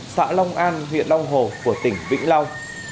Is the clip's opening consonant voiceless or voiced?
voiceless